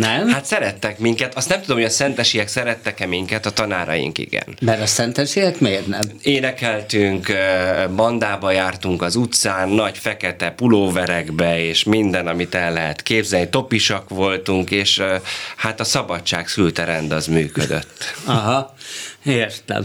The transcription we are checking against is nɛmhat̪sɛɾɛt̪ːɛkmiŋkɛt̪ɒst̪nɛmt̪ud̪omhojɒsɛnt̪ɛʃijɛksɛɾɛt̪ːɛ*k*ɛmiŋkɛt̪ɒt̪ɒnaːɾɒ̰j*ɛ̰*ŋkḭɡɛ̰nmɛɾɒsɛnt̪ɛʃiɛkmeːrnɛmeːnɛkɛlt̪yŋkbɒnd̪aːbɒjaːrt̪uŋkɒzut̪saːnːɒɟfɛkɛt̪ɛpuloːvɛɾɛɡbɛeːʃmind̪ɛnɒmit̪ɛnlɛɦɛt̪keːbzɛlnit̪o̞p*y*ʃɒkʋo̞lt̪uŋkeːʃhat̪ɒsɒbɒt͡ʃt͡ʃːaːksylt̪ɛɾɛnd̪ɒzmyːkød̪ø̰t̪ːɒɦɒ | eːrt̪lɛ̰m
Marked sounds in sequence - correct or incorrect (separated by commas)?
correct, incorrect, incorrect